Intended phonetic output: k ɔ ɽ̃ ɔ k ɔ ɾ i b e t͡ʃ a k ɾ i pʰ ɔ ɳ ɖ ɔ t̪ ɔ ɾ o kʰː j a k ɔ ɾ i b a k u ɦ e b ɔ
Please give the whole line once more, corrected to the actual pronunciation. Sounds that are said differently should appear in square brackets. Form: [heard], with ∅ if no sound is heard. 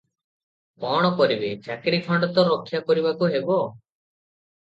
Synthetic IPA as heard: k ɔ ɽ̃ ɔ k ɔ ɾ i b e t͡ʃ a k ɾ i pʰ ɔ ɳ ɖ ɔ t̪ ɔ ɾ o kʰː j a k ɔ ɾ i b a k u ɦ e b ɔ

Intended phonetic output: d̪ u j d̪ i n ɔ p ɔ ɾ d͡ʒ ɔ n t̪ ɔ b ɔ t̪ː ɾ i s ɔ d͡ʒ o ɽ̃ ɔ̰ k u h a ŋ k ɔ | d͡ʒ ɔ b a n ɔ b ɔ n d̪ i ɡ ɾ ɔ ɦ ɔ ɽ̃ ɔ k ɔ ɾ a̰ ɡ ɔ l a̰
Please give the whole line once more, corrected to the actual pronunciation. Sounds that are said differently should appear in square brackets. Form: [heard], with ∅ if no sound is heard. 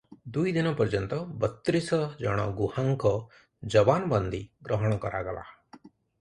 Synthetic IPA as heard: d̪ u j d̪ i n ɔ p ɔ ɾ d͡ʒ ɔ n t̪ ɔ b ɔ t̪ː ɾ i s ɔ d͡ʒ [ɔ] ɽ̃ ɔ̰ [ɡ] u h a ŋ k ɔ | d͡ʒ ɔ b a n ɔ b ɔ n d̪ i ɡ ɾ ɔ ɦ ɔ ɽ̃ ɔ k ɔ ɾ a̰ ɡ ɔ l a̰

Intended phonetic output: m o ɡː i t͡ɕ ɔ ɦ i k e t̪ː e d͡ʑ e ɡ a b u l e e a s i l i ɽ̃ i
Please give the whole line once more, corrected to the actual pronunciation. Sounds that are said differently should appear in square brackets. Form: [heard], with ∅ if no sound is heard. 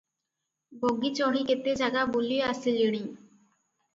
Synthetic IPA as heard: [b] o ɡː i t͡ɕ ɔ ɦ i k e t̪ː e d͡ʑ [a] ɡ a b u l [i] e a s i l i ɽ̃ i

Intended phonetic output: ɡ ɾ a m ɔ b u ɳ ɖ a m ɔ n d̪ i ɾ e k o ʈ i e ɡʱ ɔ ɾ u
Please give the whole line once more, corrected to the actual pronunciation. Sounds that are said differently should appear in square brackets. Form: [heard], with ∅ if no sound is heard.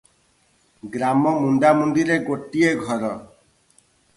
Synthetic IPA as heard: ɡ ɾ a m ɔ [m] u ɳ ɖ a m [u] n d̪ i ɾ e [ɡ] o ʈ i e ɡʱ ɔ ɾ [ɔ]

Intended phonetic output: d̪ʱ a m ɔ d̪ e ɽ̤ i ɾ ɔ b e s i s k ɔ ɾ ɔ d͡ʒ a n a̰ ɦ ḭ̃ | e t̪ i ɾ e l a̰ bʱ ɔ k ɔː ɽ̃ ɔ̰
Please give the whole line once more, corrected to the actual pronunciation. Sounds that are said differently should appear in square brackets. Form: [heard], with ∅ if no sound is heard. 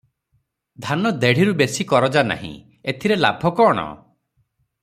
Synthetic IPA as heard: d̪ʱ a [n] ɔ d̪ e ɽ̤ i ɾ [u] b e s i [∅] k ɔ ɾ ɔ d͡ʒ a n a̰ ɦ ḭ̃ | e [t̪ʰ] i ɾ e l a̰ bʱ ɔ k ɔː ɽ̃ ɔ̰

